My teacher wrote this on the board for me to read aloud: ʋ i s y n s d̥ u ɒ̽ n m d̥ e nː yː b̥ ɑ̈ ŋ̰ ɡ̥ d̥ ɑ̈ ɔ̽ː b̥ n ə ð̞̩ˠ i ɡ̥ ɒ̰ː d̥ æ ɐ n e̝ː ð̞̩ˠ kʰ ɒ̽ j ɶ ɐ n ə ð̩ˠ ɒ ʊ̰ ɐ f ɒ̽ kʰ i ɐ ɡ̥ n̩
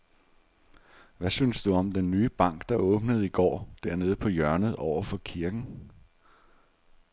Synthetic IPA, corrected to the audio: ʋ æ s y n s d̥ u ɒ̽ m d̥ e nː yː b̥ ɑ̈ ŋ̰ ɡ̥ d̥ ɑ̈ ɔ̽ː b̥ n ə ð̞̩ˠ i ɡ̥ ɒ̰ː d̥ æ ɐ n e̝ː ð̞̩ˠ pʰ ɒ̽ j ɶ ɐ n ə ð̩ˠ ɒ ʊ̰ ɐ f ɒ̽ kʰ i ɐ ɡ̥ n̩